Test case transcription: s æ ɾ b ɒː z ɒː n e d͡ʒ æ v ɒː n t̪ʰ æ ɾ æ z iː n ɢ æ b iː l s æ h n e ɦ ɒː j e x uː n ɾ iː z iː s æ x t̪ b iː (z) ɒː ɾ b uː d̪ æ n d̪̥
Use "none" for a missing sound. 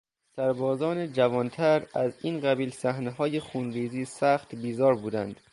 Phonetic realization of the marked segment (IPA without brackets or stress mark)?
z